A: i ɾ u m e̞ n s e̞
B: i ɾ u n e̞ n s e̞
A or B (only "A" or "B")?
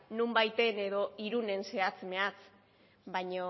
B